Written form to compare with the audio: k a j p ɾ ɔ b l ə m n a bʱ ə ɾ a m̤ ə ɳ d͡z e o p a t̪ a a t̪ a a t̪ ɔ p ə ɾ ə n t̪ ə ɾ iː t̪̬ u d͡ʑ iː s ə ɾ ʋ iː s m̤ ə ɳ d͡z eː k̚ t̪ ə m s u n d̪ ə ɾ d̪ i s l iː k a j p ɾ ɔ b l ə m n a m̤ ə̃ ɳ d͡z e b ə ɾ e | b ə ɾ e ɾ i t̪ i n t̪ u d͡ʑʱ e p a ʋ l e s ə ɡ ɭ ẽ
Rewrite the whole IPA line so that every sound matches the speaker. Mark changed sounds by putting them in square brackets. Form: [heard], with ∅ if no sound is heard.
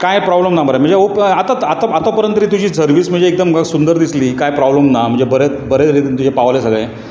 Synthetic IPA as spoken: k a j p ɾ ɔ b l ə m n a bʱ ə ɾ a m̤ ə ɳ d͡z e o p a t̪ a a t̪ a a t̪ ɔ p ə ɾ ə n t̪ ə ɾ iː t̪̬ u d͡ʑ iː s ə ɾ ʋ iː s m̤ ə ɳ d͡z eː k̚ [d̪] ə m s u n d̪ ə ɾ d̪ i s l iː k a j p ɾ ɔ b l ə m n a m̤ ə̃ ɳ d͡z e b ə ɾ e | b ə ɾ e ɾ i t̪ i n t̪ u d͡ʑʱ e p a ʋ l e s ə ɡ ɭ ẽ